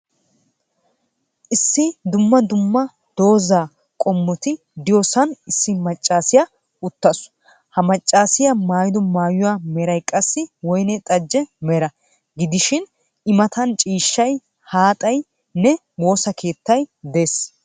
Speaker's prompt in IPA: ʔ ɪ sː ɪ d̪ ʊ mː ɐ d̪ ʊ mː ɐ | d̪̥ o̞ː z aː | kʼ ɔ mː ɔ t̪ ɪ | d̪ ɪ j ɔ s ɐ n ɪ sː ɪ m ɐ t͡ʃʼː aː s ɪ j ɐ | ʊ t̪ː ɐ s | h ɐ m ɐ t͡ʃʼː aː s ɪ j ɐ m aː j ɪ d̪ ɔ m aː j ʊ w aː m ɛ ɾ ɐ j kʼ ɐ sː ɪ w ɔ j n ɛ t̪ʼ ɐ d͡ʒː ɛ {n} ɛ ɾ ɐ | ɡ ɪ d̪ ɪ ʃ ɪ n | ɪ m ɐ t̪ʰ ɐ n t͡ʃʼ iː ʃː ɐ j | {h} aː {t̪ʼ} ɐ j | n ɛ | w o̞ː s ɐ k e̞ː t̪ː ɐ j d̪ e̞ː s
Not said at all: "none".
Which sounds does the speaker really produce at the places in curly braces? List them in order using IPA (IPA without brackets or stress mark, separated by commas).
m, h, t̪ʼ